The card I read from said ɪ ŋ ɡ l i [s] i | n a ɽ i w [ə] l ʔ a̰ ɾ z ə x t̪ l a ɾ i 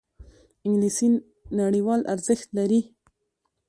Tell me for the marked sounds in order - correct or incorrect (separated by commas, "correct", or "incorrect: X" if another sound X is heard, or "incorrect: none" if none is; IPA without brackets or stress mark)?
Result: correct, incorrect: ɑ